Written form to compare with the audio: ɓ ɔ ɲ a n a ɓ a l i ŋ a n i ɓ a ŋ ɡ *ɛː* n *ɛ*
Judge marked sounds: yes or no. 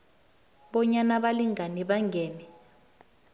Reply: yes, yes

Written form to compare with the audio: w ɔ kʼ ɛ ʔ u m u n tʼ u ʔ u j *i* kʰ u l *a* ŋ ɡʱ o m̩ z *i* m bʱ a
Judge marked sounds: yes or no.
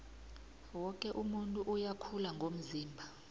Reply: no, yes, no

